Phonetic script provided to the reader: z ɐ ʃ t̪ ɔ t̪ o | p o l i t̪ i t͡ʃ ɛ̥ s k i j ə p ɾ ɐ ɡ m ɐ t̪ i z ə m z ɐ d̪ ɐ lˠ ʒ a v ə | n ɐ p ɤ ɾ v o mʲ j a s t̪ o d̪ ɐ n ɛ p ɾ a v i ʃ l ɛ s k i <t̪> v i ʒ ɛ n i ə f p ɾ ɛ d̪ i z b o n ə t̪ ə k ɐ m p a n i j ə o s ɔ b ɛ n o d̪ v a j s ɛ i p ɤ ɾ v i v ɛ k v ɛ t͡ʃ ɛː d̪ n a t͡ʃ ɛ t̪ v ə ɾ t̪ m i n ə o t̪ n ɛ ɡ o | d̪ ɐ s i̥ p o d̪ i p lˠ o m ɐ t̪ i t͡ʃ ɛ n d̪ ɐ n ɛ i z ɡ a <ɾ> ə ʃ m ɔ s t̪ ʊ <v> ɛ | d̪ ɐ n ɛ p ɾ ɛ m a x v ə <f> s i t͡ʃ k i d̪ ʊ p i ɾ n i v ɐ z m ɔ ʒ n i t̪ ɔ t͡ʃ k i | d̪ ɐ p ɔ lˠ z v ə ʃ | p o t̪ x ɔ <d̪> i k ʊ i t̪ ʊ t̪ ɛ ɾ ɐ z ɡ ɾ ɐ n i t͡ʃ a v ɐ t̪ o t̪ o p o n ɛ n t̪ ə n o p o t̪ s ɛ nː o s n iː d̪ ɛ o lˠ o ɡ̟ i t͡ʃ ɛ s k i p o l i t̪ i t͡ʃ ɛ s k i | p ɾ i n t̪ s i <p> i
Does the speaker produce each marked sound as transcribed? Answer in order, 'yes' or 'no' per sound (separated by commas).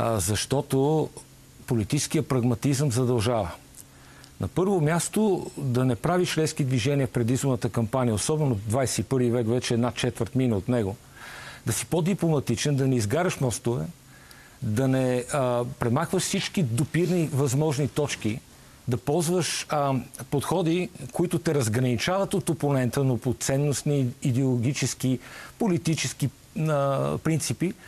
no, yes, yes, no, yes, yes